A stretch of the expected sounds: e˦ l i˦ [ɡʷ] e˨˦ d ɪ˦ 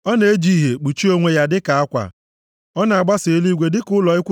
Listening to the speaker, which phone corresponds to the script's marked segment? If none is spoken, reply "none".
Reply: ɡʷ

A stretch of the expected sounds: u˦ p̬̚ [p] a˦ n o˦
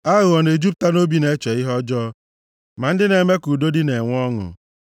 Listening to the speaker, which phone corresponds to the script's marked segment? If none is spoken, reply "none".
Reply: t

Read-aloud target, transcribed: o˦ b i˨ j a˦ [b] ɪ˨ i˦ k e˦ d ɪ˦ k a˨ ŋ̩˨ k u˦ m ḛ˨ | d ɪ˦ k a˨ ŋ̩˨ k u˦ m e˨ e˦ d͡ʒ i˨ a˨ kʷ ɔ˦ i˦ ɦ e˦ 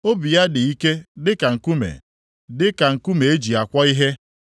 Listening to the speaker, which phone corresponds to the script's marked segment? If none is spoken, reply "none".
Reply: d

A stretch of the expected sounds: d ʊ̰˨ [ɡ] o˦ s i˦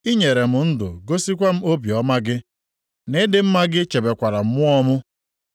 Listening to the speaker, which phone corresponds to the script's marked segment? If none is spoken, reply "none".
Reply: ɡ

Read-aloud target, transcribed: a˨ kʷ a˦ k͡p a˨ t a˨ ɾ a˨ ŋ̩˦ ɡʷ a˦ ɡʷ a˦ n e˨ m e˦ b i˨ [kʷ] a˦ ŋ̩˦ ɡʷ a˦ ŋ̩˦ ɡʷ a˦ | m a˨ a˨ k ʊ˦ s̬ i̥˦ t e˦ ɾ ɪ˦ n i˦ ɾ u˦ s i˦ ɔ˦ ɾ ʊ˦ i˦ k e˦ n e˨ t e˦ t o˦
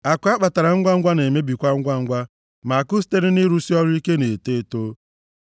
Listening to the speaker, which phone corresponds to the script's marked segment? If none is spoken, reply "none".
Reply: kʷ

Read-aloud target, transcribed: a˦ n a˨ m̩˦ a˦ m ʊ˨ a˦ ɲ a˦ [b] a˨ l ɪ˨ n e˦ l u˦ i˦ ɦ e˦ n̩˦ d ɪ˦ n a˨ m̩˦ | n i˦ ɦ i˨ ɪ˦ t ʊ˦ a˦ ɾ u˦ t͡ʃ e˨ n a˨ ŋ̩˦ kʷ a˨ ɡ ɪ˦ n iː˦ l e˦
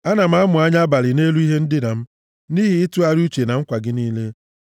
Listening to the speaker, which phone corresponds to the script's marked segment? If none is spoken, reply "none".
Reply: b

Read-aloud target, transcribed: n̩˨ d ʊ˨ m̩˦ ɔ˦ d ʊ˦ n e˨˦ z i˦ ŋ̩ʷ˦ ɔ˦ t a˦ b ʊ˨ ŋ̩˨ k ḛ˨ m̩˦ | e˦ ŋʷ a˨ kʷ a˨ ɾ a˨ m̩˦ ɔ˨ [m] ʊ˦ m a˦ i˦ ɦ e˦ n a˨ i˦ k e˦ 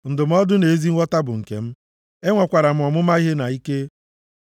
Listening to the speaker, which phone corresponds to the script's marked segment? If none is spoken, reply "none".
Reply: m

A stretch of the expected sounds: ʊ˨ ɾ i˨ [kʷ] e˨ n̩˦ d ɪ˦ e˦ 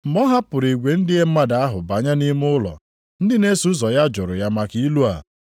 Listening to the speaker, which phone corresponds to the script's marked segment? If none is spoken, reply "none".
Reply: ɡʷ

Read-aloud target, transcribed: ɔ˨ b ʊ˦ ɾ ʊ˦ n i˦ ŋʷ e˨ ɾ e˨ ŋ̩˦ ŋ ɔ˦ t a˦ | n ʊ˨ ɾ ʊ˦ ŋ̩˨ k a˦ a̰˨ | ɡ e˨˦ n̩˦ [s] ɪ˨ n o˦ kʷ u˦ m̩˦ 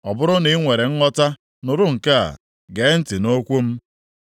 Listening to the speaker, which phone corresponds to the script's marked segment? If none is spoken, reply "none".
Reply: t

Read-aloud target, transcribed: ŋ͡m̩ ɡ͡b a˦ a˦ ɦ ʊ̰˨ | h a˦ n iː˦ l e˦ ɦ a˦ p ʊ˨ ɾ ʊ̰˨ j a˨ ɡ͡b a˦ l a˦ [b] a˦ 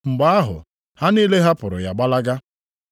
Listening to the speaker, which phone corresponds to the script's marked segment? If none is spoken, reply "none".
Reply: ɡ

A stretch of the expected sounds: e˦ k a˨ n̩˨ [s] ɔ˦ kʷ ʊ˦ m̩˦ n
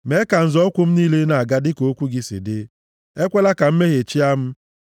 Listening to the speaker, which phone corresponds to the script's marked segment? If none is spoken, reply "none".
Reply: z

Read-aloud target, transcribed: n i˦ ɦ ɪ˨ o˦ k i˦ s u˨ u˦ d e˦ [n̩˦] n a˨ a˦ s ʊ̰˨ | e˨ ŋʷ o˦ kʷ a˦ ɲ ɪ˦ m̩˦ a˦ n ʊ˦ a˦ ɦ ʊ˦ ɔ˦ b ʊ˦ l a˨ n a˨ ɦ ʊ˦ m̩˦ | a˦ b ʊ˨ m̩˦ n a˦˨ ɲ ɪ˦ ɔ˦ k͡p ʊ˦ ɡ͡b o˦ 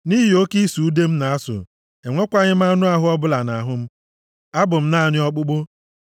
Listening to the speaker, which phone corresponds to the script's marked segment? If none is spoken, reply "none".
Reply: m̩˦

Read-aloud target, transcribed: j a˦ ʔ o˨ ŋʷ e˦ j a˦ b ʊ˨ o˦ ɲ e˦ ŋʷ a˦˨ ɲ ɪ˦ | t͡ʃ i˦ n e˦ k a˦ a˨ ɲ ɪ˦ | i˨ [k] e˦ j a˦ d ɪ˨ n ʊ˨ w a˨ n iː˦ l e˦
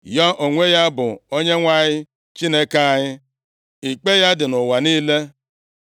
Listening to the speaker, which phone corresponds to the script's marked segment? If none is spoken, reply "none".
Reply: k͡p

